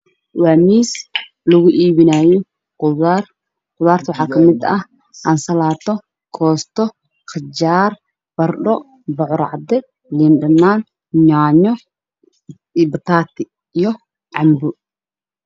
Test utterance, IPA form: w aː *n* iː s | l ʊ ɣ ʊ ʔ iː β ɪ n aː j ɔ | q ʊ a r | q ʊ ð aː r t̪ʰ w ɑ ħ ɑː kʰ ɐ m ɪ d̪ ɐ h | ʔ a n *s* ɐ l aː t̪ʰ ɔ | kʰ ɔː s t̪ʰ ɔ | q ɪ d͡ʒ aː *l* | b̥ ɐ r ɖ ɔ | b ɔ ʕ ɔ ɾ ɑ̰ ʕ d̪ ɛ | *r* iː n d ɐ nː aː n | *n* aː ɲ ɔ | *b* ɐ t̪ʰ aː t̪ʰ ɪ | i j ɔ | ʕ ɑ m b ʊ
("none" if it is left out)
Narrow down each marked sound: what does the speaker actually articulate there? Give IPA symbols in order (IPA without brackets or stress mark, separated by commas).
m, s, r, l, ɲ, b